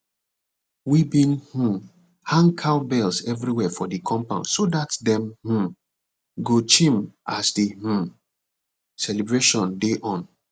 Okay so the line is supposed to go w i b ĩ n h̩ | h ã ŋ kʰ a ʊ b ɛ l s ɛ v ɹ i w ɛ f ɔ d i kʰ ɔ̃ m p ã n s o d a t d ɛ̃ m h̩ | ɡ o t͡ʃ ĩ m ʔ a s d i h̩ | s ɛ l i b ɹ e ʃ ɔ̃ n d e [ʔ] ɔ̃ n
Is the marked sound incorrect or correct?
correct